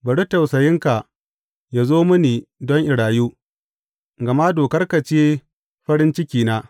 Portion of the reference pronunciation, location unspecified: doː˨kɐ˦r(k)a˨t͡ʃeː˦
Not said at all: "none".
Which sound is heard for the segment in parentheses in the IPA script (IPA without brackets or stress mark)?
k